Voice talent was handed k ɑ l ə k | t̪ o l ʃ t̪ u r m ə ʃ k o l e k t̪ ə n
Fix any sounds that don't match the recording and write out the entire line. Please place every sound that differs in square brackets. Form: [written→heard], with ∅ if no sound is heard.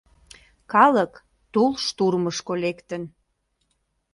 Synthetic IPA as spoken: k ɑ l ə k | t̪ [o→u] l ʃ t̪ u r m ə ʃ k o l e k t̪ ə n